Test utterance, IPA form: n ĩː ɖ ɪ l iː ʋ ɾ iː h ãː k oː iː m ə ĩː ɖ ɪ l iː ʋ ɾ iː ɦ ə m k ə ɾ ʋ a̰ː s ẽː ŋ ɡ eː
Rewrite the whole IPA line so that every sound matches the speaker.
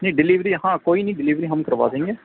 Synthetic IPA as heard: n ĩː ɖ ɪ l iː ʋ ɾ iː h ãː k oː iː n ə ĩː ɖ ɪ l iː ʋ ɾ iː ɦ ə m k ə ɾ ʋ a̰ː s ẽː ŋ ɡ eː